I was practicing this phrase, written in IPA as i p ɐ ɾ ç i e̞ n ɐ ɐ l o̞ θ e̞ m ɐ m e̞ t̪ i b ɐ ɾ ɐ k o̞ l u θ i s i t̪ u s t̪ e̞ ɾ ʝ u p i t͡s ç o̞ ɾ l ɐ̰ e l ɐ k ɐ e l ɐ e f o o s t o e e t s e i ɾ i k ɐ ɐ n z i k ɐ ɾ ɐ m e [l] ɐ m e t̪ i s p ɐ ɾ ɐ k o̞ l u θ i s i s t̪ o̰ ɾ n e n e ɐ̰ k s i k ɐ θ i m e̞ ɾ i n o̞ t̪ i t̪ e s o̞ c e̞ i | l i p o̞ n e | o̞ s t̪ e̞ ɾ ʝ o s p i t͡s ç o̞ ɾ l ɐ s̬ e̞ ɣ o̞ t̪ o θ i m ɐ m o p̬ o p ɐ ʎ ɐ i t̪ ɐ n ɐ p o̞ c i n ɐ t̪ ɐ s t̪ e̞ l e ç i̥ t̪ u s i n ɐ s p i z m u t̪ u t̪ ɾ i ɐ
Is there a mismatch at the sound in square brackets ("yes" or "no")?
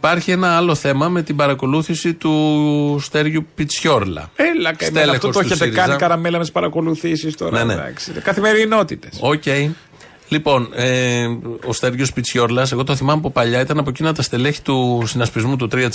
no